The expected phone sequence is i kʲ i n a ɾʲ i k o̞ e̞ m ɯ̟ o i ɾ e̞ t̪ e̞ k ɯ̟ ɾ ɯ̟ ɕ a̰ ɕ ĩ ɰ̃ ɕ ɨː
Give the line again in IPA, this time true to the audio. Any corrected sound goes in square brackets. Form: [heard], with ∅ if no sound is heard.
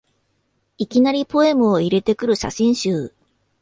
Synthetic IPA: i kʲ i n a ɾʲ i [p] o̞ e̞ m ɯ̟ o i ɾ e̞ t̪ e̞ k ɯ̟ ɾ ɯ̟ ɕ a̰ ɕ ĩ ɰ̃ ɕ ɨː